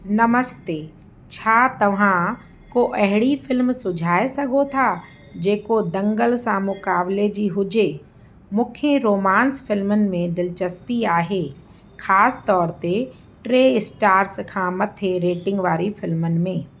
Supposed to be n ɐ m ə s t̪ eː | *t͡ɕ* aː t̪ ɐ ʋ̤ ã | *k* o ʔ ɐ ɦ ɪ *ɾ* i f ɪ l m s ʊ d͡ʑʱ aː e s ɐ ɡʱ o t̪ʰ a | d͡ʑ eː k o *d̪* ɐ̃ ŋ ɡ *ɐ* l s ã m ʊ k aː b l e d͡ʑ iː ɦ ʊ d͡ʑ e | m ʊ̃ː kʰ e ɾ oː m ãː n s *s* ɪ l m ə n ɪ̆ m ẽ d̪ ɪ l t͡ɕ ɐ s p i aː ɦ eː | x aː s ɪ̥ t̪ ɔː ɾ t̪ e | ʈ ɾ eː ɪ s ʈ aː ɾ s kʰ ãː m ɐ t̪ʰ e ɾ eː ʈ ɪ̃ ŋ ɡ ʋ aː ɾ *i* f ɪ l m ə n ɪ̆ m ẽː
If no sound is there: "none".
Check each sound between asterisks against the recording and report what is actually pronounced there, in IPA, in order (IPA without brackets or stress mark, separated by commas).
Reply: t͡ɕʰ, k, ɽ, d̪, ə, f, i